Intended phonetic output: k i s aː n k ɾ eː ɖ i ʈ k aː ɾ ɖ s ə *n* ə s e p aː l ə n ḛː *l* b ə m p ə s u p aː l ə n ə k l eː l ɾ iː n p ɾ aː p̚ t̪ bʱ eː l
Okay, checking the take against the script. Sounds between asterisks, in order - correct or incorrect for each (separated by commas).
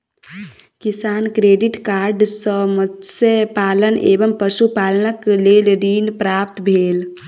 incorrect, incorrect